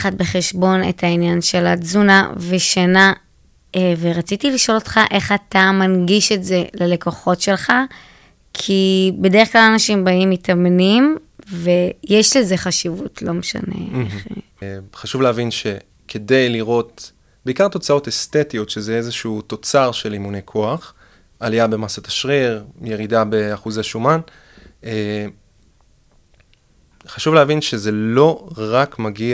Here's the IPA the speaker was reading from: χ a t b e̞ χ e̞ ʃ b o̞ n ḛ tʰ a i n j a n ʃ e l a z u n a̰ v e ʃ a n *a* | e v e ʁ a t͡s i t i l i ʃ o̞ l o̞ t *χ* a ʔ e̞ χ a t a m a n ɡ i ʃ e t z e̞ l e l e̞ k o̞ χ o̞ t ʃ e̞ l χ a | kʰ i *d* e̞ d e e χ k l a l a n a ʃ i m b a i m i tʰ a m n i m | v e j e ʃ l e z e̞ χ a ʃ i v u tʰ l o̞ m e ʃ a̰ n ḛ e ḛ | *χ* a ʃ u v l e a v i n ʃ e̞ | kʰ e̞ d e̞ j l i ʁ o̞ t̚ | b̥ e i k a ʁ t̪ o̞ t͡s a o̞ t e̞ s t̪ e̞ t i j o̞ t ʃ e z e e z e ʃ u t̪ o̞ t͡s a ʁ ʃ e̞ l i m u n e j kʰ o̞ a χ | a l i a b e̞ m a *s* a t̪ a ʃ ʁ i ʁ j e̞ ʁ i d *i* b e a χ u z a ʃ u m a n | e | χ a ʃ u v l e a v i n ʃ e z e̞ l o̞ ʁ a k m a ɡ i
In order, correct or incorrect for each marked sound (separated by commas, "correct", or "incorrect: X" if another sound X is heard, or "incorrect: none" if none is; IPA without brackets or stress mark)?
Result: correct, correct, incorrect: b, correct, correct, incorrect: a